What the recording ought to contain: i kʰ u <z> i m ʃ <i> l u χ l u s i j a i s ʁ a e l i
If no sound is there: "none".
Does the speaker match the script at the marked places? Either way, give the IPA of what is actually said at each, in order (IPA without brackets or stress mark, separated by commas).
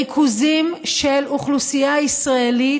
z, e